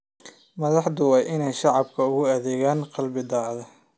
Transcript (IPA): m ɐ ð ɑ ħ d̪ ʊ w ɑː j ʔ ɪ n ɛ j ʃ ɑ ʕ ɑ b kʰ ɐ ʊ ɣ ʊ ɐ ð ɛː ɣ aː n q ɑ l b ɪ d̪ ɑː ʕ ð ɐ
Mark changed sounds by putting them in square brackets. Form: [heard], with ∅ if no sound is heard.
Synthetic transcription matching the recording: m ɐ ð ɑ ħ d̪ ʊ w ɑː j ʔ ɪ n ɛ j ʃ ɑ ʕ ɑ b kʰ ɐ ʊ ɣ ʊ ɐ ð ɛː ɣ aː n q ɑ l b ɪ d̪ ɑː ʕ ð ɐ